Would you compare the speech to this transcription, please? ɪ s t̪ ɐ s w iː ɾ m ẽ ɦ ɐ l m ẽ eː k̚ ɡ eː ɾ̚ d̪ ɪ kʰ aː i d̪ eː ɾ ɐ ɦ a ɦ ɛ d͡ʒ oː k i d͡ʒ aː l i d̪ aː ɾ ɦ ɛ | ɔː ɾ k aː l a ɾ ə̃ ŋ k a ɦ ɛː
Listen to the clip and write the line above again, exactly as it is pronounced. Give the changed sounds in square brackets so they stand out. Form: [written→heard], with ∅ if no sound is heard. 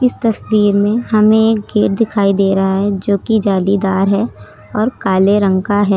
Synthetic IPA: ɪ s t̪ ɐ s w iː ɾ m ẽ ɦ ɐ [l→∅] m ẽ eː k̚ ɡ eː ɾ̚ d̪ ɪ kʰ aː i d̪ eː ɾ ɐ ɦ a ɦ ɛ d͡ʒ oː k i d͡ʒ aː l i d̪ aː ɾ ɦ ɛ | ɔː ɾ k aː l [a→e] ɾ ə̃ ŋ k a ɦ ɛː